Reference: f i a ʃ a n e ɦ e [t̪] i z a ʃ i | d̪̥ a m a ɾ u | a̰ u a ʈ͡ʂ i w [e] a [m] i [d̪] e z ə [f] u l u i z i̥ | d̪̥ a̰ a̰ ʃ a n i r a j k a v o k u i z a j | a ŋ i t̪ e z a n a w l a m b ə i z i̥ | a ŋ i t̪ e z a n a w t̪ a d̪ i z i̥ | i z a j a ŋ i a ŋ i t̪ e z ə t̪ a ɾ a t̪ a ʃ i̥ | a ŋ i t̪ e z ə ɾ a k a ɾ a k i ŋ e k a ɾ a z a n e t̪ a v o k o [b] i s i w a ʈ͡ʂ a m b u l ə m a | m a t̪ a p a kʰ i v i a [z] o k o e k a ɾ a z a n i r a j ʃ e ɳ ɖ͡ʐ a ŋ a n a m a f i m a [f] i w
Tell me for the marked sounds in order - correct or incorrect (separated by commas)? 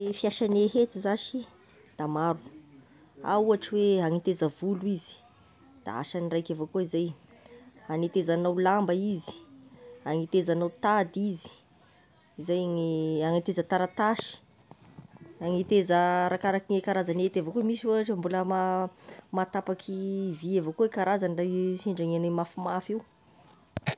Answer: correct, correct, incorrect, incorrect, incorrect, incorrect, incorrect, correct